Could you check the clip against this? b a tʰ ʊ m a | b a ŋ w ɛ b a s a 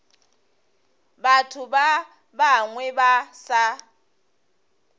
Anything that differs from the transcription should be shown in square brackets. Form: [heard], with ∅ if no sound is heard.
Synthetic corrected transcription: b a tʰ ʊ [b] a | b a ŋ w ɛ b a s a